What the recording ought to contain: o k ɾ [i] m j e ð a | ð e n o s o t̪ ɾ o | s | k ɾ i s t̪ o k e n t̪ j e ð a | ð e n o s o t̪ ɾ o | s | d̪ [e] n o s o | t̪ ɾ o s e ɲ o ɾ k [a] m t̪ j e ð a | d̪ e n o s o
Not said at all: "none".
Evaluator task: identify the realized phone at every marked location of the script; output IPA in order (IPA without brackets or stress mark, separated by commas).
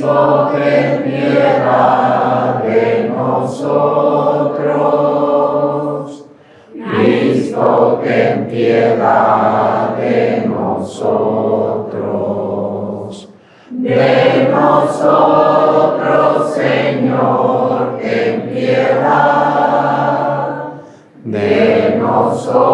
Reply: e, e, e